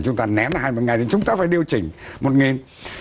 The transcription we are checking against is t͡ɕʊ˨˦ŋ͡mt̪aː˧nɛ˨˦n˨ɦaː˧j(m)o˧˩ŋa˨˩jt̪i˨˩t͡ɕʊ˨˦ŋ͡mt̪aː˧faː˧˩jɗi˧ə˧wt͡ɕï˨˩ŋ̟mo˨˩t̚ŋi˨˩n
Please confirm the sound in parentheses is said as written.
yes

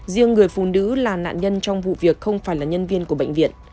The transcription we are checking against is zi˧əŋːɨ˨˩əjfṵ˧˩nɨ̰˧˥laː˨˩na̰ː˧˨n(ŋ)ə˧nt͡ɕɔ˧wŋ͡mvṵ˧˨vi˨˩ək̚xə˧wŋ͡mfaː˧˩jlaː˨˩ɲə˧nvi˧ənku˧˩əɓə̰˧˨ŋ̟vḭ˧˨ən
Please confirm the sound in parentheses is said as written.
no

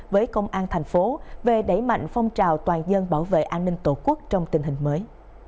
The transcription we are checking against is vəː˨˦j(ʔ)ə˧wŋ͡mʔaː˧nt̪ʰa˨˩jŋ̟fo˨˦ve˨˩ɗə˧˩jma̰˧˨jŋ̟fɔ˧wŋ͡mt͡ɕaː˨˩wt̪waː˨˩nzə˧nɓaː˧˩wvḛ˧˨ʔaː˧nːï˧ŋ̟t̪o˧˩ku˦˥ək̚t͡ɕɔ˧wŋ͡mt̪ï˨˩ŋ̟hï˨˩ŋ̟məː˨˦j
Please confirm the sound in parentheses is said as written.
no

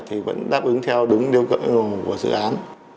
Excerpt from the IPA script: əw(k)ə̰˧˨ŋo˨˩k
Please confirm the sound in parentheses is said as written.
yes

